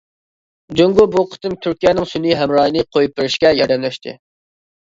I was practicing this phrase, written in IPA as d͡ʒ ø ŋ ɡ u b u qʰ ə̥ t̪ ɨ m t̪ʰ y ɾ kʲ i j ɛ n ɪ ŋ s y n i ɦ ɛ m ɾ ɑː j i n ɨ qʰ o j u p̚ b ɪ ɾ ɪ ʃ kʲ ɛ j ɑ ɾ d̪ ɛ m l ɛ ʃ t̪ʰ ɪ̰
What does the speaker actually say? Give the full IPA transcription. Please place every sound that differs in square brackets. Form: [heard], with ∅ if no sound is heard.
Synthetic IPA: d͡ʒ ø ŋ ɡ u b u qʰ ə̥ t̪ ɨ m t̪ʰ y ɾ kʲ i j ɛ n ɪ ŋ s y n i ɦ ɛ m ɾ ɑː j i n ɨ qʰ o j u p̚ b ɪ ɾ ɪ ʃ kʲ ɛ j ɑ ɾ d̪ ɛ m l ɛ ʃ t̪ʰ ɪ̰